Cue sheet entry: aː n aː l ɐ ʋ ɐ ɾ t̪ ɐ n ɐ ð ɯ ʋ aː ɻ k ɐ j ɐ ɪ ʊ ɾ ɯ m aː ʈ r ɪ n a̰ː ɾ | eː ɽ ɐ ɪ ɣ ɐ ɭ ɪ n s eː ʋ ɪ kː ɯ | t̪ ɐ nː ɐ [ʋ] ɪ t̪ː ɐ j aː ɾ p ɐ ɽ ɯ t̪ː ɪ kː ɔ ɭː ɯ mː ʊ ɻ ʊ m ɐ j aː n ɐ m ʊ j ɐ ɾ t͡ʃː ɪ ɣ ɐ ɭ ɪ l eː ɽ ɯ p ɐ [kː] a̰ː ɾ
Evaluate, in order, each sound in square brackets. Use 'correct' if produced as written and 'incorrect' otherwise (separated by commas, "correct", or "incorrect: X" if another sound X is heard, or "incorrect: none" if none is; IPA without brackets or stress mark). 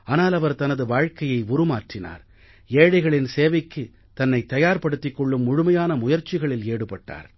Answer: incorrect: none, incorrect: ʈː